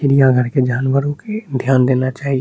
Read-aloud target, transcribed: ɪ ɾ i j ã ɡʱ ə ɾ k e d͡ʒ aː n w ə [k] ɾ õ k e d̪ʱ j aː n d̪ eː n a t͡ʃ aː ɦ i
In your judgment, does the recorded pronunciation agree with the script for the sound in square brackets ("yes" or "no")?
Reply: no